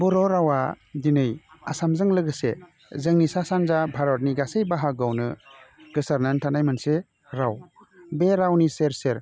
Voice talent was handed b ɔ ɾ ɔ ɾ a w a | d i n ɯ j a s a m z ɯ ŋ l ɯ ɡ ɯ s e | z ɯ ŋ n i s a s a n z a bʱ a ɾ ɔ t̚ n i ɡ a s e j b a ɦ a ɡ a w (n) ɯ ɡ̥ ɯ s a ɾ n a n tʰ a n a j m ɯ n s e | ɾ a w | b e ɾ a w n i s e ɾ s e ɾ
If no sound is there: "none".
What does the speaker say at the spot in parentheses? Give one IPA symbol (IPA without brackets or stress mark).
n